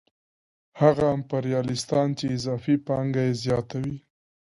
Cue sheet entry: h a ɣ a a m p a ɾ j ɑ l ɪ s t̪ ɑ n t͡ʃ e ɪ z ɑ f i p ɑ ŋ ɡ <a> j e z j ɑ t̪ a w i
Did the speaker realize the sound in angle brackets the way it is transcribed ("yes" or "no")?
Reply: yes